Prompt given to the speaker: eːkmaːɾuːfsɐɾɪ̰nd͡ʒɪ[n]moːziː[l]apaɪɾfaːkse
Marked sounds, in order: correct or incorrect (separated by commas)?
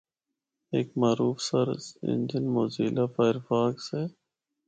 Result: correct, correct